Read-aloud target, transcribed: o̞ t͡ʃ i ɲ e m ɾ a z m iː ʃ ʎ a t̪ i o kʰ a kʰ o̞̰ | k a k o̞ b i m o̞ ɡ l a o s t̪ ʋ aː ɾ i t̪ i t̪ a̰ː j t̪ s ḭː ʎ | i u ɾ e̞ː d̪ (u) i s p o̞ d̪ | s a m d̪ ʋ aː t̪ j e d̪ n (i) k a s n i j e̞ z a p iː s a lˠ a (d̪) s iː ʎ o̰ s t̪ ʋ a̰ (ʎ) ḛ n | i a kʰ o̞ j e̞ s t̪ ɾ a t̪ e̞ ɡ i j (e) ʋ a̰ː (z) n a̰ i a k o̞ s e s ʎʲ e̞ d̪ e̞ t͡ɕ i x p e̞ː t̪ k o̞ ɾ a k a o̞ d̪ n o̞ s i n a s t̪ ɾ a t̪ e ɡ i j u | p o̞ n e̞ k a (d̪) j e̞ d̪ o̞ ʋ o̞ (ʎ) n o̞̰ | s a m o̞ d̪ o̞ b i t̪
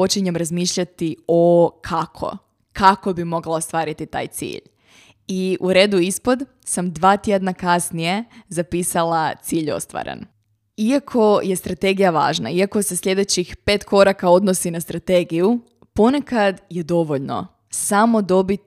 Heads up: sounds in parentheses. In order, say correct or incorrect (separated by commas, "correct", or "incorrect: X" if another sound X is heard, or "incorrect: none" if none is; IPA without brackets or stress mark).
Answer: correct, incorrect: a, incorrect: t̪, incorrect: ɾ, incorrect: a, incorrect: ʒ, correct, correct